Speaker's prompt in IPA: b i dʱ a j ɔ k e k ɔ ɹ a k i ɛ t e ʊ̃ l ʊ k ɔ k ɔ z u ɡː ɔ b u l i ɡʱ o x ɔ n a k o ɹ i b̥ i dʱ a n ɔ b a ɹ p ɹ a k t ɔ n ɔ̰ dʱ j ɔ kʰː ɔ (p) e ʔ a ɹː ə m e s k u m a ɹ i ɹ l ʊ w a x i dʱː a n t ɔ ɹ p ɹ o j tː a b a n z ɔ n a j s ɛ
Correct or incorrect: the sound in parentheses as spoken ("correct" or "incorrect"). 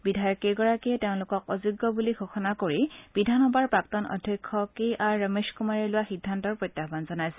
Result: incorrect